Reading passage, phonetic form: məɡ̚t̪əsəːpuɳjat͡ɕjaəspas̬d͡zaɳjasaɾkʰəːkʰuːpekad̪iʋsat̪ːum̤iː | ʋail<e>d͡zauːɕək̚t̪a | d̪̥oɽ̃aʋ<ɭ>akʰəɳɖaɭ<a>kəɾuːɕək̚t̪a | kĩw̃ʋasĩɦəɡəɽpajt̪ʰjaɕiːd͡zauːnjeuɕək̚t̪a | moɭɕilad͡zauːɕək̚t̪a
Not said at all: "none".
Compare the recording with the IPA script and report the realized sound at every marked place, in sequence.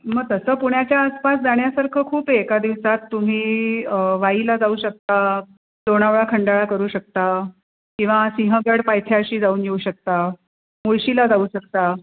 a, ɭ, a

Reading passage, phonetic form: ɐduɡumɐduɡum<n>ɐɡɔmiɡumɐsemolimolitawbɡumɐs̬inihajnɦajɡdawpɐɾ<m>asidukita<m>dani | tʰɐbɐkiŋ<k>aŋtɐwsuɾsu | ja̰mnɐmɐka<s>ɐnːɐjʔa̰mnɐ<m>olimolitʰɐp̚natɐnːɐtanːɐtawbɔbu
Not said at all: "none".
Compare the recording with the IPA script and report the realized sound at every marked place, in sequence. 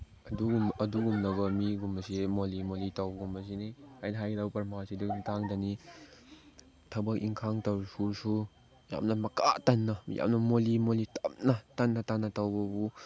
n, m, ŋ, kʰ, t, m

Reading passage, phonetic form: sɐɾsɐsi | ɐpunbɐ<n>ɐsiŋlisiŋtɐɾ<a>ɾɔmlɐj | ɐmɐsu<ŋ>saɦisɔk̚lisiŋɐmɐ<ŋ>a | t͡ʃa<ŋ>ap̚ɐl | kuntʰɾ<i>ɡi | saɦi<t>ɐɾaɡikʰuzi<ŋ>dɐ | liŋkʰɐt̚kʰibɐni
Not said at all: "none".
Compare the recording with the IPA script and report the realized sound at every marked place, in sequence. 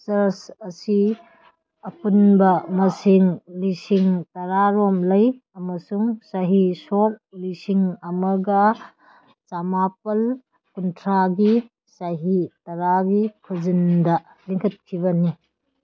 m, a, ŋ, ɡ, m, a, t, n

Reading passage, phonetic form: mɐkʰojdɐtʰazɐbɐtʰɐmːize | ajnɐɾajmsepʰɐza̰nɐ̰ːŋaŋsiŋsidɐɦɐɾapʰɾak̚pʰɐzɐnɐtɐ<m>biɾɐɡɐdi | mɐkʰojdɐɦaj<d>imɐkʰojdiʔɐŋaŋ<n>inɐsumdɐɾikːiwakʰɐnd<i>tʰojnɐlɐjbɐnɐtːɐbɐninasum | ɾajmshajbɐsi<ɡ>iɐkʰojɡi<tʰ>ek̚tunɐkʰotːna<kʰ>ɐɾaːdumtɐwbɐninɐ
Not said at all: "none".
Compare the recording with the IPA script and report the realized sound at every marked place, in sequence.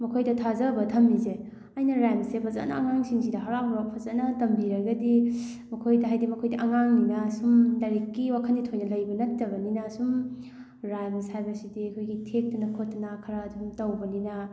m, d, n, i, d, tʰ, kʰ

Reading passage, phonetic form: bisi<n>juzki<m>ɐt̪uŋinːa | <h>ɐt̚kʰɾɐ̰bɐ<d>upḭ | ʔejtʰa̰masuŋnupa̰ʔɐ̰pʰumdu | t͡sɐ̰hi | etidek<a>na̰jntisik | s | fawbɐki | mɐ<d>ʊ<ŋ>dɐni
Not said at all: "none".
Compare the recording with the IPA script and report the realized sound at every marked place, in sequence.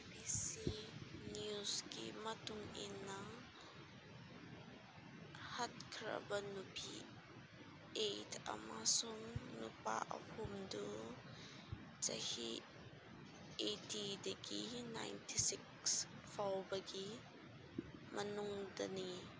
n, m, h, n, i, n, ŋ

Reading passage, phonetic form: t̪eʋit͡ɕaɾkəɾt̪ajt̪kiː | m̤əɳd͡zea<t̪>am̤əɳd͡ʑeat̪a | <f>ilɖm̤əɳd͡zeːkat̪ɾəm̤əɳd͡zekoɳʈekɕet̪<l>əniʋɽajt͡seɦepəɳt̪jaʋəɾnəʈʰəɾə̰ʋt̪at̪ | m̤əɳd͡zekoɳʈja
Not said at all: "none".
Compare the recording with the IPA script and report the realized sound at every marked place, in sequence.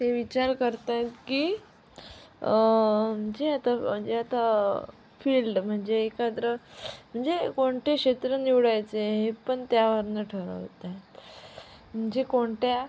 t̪, f, ɾ

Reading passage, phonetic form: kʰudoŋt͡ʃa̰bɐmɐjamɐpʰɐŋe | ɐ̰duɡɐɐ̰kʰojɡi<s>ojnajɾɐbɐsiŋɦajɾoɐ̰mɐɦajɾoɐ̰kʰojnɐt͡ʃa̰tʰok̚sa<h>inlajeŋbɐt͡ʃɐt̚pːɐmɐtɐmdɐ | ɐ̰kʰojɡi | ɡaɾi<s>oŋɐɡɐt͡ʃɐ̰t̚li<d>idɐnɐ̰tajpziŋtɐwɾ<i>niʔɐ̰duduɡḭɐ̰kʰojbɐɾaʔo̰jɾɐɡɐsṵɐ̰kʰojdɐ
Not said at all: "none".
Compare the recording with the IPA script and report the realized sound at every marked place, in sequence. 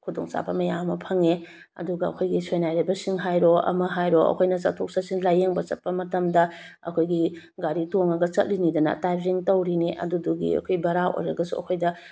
s, s, t, n, i

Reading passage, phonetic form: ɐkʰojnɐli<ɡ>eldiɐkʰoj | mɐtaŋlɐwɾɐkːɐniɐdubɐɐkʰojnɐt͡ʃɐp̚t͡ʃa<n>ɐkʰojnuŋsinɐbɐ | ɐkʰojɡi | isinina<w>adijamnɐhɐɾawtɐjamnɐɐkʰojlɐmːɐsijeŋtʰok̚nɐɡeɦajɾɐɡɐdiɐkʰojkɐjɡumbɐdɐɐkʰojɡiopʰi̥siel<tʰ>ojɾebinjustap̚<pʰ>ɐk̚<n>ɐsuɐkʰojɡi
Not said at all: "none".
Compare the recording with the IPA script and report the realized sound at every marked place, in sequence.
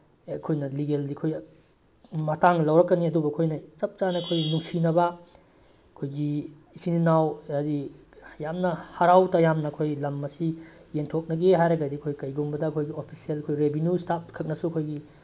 ɡ, n, w, kʰ, kʰ, n

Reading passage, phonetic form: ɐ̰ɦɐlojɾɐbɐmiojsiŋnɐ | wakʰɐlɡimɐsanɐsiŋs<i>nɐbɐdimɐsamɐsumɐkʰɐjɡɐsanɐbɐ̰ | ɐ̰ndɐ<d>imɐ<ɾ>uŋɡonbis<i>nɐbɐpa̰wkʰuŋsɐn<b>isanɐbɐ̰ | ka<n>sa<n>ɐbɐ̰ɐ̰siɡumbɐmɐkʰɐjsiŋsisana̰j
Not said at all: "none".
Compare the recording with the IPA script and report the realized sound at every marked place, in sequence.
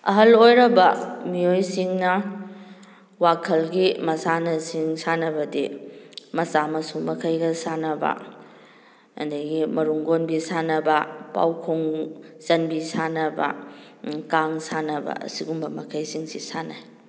a, ɡ, ɾ, a, b, ŋ, n

